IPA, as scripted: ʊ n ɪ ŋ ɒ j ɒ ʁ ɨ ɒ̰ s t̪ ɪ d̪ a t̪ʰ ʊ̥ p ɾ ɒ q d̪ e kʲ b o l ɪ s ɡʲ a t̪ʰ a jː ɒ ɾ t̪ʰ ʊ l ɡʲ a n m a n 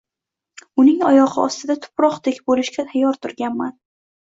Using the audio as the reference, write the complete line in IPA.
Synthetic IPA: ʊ n ɪ ŋ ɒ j ɒ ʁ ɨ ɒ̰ s t̪ ɪ d̪ a t̪ʰ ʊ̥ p ɾ ɒ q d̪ e kʲ b o l ɪ ʃ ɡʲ a t̪ʰ a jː ɒ ɾ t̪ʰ ʊ ɾ ɡʲ a n m a n